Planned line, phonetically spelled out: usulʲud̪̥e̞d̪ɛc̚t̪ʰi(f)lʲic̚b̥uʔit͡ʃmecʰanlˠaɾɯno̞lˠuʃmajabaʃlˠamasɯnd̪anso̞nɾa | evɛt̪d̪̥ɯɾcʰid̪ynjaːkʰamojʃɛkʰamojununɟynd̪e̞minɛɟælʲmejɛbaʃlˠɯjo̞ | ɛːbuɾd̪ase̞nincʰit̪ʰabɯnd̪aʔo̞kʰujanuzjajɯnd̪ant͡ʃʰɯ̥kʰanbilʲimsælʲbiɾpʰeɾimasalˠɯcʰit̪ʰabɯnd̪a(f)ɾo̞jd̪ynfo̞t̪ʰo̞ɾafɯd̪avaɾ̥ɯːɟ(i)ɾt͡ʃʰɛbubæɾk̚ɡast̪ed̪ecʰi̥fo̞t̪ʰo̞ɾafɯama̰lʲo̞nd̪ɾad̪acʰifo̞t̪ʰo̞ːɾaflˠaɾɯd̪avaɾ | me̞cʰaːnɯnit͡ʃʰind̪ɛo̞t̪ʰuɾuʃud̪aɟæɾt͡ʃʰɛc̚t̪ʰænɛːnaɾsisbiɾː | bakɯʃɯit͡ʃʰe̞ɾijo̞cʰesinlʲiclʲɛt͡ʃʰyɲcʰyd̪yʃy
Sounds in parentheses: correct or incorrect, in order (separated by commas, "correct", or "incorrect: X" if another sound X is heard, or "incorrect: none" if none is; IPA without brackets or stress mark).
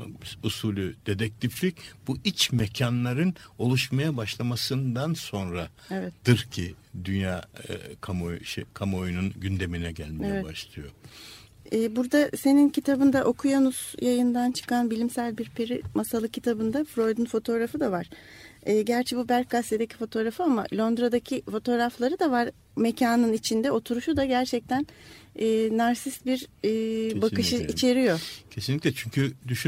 correct, correct, incorrect: æ